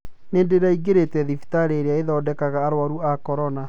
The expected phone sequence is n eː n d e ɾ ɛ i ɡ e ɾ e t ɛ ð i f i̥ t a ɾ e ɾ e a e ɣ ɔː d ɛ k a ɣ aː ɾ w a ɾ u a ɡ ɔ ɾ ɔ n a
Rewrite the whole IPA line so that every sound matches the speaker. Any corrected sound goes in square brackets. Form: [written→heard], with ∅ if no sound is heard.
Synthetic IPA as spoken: n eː n d e ɾ [ɛ→a] i ɡ e ɾ e t ɛ ð i f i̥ t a ɾ e ɾ e a e [ɣ→ð] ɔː d ɛ k a ɣ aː ɾ w a ɾ u a [ɡ→k] ɔ ɾ ɔ n a

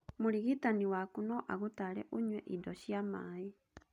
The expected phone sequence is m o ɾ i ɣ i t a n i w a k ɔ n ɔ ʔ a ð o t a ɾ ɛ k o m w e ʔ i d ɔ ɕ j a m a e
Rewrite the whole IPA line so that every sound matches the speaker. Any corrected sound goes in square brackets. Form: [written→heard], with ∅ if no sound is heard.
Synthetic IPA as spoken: m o ɾ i ɣ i t a n i w a k [ɔ→u] n ɔ ʔ a [ð→ɣ] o t a ɾ ɛ [k→ʔ] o [m→ɲ] w [e→ɛ] ʔ i d ɔ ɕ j a m a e

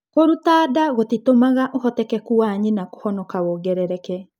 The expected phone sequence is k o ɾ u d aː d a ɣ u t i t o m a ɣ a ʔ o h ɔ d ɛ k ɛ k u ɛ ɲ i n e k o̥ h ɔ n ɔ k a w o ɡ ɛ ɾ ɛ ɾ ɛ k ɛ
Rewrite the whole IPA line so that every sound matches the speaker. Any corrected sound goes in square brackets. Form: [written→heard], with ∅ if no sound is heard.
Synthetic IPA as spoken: k o ɾ u [d→t] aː d a ɣ [u→o] t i t o m a ɣ a ʔ o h ɔ [d→t] ɛ k ɛ k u [ɛ→a] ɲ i n [e→a] k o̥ h ɔ n ɔ k a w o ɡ ɛ ɾ ɛ ɾ ɛ k ɛ

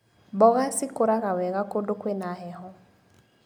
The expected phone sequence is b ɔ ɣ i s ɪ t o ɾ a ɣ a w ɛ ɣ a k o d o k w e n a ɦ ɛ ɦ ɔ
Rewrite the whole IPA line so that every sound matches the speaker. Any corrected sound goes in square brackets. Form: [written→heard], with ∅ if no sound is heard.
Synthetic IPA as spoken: b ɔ ɣ [i→a] s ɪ [t→k] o ɾ a ɣ a w ɛ ɣ a k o d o k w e n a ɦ ɛ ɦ ɔ

